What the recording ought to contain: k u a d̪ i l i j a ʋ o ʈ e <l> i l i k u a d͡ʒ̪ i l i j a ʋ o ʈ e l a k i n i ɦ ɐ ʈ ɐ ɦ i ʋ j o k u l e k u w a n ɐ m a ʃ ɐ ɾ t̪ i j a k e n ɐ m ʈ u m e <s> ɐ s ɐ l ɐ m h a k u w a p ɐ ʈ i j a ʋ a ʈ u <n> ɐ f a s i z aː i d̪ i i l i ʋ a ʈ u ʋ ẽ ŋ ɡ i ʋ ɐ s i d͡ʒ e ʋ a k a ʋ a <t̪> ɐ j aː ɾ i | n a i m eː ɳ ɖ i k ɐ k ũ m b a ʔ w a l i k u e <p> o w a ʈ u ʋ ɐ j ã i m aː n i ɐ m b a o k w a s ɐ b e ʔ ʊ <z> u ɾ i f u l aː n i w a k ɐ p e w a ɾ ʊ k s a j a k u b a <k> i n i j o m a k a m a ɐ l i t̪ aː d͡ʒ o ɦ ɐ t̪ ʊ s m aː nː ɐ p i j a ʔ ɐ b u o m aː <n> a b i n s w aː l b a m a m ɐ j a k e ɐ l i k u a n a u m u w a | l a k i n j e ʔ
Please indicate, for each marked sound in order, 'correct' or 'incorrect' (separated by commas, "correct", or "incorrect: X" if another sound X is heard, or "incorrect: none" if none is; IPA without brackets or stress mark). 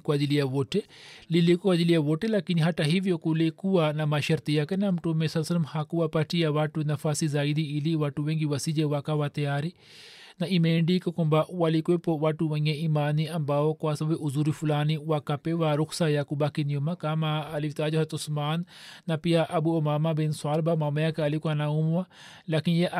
correct, correct, correct, correct, correct, correct, correct, incorrect: m